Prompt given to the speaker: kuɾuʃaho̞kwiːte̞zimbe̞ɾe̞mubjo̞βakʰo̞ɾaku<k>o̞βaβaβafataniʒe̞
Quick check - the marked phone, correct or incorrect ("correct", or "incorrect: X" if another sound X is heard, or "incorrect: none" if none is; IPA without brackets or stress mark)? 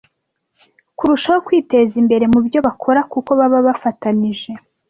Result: correct